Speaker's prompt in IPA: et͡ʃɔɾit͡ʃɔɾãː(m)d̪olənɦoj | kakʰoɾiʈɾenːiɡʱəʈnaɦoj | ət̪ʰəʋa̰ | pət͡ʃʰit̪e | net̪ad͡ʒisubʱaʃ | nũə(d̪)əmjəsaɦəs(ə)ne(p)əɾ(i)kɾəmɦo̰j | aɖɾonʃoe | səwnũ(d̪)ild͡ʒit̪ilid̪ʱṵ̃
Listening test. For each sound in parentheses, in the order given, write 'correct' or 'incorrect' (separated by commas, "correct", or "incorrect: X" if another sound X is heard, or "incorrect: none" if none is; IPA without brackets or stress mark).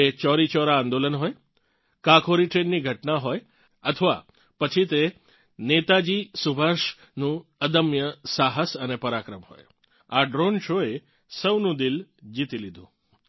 incorrect: n, correct, correct, correct, incorrect: a, correct